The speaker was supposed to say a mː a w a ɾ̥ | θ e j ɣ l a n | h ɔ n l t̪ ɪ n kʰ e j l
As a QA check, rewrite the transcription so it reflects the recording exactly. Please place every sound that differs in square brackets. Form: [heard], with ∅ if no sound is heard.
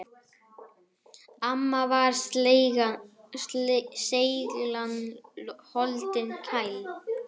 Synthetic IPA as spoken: a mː a [v] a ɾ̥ | [s] e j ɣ l a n | h ɔ [∅] l t̪ ɪ n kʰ [a] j l